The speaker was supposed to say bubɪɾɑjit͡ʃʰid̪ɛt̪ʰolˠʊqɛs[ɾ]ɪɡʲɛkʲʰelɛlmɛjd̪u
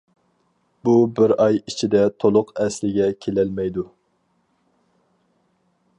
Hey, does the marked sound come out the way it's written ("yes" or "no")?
no